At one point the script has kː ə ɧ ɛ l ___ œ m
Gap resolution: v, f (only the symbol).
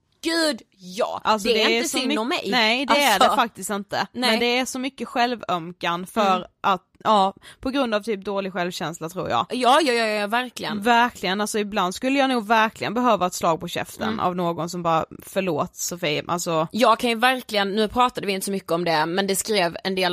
v